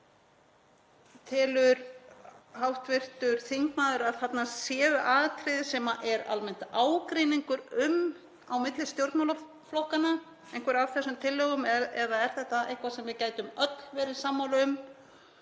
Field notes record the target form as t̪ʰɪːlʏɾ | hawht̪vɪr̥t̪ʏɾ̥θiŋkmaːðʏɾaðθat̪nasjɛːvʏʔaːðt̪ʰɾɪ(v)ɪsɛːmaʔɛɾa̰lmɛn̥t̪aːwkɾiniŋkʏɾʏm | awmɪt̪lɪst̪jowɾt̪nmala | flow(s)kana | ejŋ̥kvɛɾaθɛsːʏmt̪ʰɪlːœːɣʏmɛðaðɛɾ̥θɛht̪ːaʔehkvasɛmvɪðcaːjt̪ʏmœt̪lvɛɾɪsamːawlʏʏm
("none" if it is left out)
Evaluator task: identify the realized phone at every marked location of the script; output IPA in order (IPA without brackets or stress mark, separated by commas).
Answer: ð, h